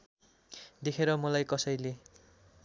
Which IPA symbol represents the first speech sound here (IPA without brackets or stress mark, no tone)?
d̪